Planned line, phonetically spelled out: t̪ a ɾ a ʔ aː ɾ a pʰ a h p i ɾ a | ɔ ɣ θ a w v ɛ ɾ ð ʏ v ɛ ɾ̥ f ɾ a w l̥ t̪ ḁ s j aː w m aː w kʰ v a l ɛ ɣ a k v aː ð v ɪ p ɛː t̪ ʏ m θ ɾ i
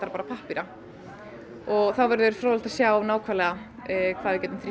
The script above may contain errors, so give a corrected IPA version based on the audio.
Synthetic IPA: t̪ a ɾ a p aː ɾ a pʰ a h p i ɾ a | ɔ ɣ θ a w v ɛ ɾ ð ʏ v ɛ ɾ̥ f ɾ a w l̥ t̪ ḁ s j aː w n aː w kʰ v a l ɛ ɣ a kʰ v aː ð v ɪ c ɛː t̪ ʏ m θ ɾ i

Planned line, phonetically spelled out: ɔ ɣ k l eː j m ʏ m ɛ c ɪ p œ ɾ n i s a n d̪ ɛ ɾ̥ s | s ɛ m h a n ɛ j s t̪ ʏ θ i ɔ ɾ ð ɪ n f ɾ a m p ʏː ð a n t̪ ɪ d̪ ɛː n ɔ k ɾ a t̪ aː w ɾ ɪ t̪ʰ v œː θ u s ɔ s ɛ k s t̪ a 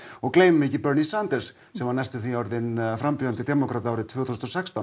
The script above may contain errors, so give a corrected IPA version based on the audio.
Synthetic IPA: ɔ ɣ k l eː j m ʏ m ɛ c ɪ p œ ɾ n i s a n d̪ ɛ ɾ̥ s | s ɛ m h a n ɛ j s t̪ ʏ θ i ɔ ɾ ð ɪ n f ɾ a m p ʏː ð a n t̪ ɪ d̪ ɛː m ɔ k ɾ a t̪ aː w ɾ ɪ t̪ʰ v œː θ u s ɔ s ɛ k s t̪ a

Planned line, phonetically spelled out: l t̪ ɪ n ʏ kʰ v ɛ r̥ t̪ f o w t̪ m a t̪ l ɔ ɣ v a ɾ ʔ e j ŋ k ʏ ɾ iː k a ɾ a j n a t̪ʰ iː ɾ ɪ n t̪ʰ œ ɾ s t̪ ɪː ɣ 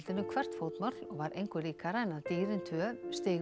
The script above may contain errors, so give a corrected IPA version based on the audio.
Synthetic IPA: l t̪ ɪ n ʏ kʰ v ɛ r̥ t̪ f o w t̪ m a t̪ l ɔ ɣ v a ɾ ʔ e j ŋ k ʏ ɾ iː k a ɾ a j n a t̪ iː ɾ ɪ n t̪ʰ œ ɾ s t̪ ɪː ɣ

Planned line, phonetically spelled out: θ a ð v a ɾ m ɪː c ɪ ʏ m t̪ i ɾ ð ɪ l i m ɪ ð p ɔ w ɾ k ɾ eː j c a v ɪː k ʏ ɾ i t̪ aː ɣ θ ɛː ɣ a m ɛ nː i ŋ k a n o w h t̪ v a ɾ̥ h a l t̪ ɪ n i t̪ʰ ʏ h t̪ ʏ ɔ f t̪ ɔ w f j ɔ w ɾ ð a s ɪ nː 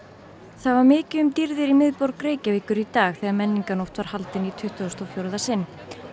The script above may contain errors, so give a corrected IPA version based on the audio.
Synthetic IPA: θ a ð v a ɾ m ɪː c ɪ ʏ m t̪ i ɾ ð ɪ ɾ i m ɪ ð p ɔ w ɾ k ɾ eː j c a v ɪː k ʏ ɾ i t̪ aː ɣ θ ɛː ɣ a m ɛ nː i ŋ k a n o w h t̪ v a ɾ̥ h a l t̪ ɪ n i t̪ʰ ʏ h t̪ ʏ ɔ s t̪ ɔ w f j o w ɾ ð a s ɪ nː

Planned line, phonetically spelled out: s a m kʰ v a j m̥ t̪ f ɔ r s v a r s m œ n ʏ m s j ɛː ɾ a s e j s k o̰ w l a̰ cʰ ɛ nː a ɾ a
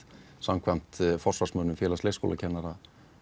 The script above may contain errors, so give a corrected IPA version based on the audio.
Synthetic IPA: s a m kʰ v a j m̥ t̪ f ɔ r s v a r s m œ n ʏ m f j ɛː l a s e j s k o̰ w l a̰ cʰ ɛ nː a ɾ a

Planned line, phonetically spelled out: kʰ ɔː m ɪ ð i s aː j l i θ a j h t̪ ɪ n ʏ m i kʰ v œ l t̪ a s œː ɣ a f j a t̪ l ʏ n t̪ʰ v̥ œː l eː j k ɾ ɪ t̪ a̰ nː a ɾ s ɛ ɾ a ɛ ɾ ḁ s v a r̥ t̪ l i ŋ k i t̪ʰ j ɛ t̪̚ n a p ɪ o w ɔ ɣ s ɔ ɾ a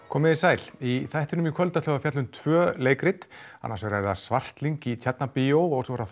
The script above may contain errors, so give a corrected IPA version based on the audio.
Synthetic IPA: kʰ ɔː m ɪ ð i s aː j l i θ a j h t̪ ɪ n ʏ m i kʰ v œ l t̪ a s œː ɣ a f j a t̪ l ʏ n t̪ʰ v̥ œː l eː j k ɾ ɪ t̪ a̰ nː a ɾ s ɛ ɾ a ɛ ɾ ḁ s v a r̥ t̪ l i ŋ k i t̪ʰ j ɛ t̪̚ n a p ɪ o w ɔ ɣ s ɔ ɾ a

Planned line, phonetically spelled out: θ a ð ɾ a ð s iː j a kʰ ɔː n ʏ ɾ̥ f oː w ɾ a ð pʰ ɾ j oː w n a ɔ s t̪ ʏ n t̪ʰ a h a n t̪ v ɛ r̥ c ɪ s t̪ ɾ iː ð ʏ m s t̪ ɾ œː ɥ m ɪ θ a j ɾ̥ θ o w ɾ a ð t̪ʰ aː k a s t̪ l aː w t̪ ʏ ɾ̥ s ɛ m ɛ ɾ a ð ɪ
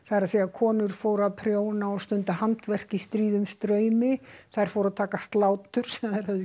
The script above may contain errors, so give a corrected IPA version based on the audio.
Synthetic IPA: θ a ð ɾ a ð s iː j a kʰ ɔː n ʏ ɾ̥ f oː w ɾ a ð pʰ ɾ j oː w n a ɔ s t̪ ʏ n t̪ a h a n t̪ v ɛ r̥ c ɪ s t̪ ɾ iː ð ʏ m s t̪ ɾ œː ɥ m ɪ θ a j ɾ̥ f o w ɾ a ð t̪ʰ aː k a s t̪ l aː w t̪ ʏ ɾ̥ s ɛ m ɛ ɾ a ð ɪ

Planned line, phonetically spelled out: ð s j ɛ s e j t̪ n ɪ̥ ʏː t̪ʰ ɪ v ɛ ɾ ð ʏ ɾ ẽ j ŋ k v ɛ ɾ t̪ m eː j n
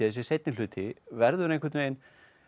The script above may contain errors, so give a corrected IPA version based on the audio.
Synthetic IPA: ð s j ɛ s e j t̪ n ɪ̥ ʏː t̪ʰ ɪ v ɛ ɾ ð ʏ ɾ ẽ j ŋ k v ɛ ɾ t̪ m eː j n

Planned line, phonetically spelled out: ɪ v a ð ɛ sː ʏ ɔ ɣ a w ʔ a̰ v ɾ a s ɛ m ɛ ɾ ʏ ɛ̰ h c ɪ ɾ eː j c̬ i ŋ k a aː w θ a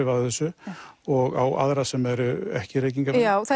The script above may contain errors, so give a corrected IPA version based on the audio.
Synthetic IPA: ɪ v a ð ɛ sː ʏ ɔ ɣ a w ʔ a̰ ð ɾ a s ɛ m ɛ ɾ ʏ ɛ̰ h c ɪ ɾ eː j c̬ i ŋ k a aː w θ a

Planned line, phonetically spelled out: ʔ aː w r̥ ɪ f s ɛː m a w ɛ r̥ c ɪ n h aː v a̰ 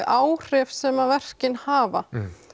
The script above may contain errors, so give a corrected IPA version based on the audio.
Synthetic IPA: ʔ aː w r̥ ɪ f s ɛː m a v ɛ r̥ c ɪ n h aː v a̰

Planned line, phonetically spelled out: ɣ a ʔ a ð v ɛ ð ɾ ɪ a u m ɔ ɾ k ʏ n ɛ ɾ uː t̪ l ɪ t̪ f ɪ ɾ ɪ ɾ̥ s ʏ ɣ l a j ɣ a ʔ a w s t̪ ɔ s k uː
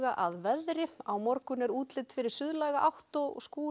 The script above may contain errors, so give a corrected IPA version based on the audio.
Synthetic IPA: ɣ a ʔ a ð v ɛ ð ɾ ɪ a w m ɔ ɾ k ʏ n ɛ ɾ uː t̪ l ɪ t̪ f ɪ ɾ ɪ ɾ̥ s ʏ ð l a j ɣ a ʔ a w h t̪ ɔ s k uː

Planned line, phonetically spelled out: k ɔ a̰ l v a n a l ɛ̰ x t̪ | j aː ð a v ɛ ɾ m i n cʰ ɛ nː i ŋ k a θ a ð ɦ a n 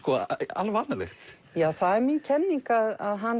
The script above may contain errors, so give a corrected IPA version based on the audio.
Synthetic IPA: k ɔ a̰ l v a n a l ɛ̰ x t̪ | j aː θ a ð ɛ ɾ m i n cʰ ɛ nː i ŋ k a ð a ð ɦ a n

